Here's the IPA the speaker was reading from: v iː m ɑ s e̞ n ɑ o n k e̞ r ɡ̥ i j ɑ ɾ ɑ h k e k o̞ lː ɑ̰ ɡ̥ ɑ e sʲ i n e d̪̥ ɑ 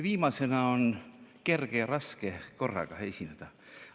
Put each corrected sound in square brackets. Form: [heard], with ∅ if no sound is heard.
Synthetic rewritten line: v iː m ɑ s e̞ n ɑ o n k e̞ r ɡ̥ [e] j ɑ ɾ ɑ [s] k e k o̞ [rː] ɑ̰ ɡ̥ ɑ e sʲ i n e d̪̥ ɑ

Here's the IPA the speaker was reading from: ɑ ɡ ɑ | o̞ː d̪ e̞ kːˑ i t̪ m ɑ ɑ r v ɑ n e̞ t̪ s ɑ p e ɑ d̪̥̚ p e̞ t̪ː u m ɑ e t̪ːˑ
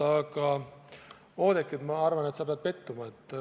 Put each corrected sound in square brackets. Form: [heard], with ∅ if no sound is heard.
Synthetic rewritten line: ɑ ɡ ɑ | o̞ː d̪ e̞ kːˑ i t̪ m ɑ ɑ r v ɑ n e̞ t̪ s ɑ p e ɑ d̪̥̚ p e̞ t̪ː u m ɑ e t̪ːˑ

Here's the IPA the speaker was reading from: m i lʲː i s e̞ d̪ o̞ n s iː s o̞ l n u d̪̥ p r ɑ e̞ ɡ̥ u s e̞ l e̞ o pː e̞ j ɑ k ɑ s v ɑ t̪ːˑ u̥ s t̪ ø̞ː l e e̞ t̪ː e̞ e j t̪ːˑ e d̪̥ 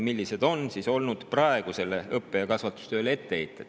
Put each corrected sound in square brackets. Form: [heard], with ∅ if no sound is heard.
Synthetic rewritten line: m i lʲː i s e̞ d̪ o̞ n s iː s o̞ l n u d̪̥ p r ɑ e̞ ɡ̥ u s e̞ l e̞ [ɤ] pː e̞ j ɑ k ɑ s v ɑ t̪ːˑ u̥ s t̪ ø̞ː l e e̞ t̪ː e̞ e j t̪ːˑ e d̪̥

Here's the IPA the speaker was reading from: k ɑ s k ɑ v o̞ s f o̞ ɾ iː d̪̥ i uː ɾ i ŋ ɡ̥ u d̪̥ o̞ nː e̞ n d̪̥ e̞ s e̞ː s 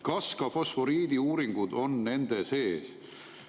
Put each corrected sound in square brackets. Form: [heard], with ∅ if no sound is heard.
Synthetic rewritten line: k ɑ s k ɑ [f] o̞ s f o̞ ɾ iː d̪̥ i uː ɾ i ŋ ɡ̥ u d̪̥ o̞ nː e̞ n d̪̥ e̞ s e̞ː s

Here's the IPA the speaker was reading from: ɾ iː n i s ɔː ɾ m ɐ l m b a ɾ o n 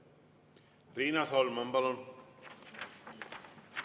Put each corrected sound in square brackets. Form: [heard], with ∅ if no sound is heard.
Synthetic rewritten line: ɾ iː n [a] s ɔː [l] m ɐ [∅] m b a [l] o n

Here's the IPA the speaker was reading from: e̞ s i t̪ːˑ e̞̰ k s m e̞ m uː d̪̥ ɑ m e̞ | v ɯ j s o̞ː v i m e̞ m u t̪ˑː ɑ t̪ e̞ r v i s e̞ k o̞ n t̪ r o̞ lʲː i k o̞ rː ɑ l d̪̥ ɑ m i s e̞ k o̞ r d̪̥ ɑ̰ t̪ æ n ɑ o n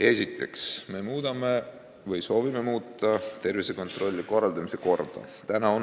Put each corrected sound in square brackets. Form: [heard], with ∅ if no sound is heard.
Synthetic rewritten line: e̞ s i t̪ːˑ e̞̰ k s m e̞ m uː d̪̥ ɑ m e̞ | v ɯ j s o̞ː v i m e̞ m [uː] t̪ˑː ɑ t̪ e̞ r v i s e̞ k o̞ n t̪ r o̞ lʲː i k o̞ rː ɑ l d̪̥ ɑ m i s e̞ k o̞ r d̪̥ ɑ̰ t̪ æ n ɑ o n

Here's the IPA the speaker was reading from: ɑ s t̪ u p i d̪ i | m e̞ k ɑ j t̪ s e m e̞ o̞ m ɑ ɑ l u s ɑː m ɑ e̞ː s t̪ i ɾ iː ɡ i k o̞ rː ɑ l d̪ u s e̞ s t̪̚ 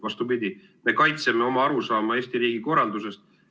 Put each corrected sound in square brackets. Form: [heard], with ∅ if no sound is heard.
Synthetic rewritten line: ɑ s t̪ u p i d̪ i | m e̞ k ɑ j t̪ s e m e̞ o̞ m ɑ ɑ [ɾ] u s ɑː m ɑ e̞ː s t̪ i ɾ iː ɡ i k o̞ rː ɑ l d̪ u s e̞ s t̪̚

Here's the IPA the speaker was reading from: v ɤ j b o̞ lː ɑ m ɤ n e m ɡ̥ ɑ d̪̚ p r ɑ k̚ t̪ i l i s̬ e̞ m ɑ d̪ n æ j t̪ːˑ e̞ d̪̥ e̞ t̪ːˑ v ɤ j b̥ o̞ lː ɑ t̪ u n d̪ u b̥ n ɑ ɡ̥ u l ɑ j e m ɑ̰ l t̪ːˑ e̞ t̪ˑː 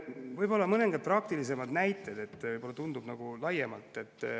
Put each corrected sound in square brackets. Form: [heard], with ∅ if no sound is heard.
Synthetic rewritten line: v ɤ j b o̞ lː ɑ m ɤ n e [ŋ] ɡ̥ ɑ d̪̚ p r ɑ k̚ t̪ i l i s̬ e̞ m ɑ d̪ n æ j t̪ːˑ e̞ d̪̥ e̞ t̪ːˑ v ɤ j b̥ o̞ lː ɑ t̪ u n d̪ u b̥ n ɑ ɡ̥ u l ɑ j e m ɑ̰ l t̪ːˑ e̞ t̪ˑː

